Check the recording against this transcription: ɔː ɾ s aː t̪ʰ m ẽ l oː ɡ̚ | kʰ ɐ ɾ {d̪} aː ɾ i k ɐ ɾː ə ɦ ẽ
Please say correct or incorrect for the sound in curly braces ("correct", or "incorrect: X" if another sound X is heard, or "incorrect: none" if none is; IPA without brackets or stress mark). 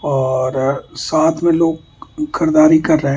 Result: correct